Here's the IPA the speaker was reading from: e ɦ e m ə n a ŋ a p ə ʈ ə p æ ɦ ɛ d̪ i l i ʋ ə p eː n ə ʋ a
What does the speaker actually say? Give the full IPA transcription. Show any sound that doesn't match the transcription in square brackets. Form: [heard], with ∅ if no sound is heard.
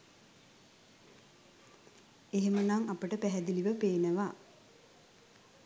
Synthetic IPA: e ɦ e m ə n a ŋ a p ə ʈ ə p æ ɦ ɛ d̪ i l i ʋ ə p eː n ə ʋ a